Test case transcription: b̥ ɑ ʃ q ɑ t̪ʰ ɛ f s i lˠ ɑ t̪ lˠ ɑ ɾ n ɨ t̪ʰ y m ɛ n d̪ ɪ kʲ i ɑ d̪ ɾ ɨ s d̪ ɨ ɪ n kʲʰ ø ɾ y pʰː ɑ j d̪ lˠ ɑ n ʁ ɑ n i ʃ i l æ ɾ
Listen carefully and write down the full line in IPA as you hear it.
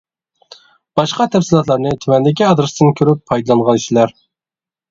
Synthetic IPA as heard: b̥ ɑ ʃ q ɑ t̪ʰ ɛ f s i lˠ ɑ t̪ lˠ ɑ ɾ n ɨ t̪ʰ y m ɛ n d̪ ɪ kʲ i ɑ d̪ ɾ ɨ s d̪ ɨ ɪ n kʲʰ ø ɾ y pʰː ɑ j d̪ lˠ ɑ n ʁ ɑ n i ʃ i l æ ɾ